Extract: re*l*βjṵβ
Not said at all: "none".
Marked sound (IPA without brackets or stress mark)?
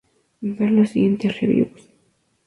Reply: none